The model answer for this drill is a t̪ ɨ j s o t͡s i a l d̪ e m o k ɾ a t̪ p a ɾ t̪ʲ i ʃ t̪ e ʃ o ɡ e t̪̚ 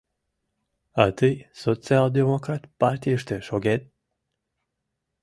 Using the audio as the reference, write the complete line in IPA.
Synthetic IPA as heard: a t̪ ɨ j s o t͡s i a l d̪ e m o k ɾ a t̪ p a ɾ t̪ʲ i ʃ t̪ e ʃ o ɡ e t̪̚